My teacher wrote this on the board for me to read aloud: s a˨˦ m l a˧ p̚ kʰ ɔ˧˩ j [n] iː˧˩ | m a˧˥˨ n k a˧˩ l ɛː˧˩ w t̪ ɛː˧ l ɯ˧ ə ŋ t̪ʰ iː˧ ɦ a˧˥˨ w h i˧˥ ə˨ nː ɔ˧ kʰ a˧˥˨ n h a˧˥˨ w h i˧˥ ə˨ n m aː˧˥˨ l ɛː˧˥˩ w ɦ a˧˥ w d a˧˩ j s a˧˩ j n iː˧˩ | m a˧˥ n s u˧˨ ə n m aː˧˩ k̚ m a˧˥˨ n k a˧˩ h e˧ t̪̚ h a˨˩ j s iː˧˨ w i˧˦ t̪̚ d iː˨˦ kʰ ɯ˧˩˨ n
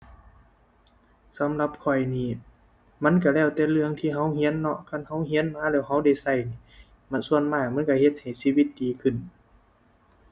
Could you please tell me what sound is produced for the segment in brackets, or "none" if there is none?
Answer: n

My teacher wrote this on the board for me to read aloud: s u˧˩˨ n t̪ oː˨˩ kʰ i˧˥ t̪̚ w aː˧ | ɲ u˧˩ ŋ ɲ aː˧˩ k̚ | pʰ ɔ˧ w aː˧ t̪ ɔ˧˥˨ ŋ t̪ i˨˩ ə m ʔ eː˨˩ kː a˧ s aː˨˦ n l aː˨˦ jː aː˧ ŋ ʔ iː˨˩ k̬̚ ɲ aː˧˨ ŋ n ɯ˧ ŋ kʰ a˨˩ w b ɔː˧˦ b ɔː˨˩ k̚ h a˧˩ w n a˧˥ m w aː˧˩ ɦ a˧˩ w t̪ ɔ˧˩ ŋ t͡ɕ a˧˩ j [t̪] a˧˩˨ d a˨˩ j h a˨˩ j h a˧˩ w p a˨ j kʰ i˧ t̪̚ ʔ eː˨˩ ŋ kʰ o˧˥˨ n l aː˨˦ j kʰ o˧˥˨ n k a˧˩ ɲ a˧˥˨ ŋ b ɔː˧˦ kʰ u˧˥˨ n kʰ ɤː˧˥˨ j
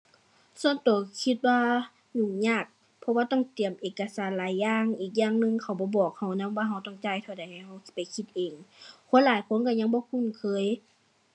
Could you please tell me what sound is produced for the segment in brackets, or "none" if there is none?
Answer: t̪ʰ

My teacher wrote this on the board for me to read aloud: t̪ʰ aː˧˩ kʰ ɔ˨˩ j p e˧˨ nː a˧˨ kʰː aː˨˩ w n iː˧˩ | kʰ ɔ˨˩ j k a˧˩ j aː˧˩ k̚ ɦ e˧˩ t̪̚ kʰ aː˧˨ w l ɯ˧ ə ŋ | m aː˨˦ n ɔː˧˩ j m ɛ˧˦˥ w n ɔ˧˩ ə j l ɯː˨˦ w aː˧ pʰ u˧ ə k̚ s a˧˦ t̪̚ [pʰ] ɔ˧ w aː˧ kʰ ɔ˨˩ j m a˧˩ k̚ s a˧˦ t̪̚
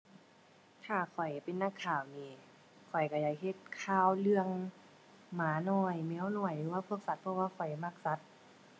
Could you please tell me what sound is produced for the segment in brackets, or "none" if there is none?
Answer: pʰ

